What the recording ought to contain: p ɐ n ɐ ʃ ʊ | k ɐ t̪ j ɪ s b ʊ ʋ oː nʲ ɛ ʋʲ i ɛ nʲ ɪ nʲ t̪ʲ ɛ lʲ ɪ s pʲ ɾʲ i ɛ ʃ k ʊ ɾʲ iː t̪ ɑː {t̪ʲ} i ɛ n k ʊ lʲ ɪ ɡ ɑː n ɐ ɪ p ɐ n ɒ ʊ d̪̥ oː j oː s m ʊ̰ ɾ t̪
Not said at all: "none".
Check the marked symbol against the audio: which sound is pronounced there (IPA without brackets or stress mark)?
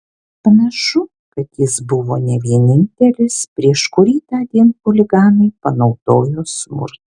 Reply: d̪ʲ